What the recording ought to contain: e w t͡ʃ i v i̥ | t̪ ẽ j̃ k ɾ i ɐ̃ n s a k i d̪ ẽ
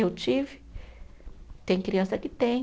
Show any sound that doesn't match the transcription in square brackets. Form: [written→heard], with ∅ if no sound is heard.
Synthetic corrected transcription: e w t͡ʃ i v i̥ | t̪ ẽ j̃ k ɾ i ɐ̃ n s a k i [d̪→t̪] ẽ